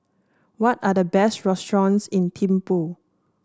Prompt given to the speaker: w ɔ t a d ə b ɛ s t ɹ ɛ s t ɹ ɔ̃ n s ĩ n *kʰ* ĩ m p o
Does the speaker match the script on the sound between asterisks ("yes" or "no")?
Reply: no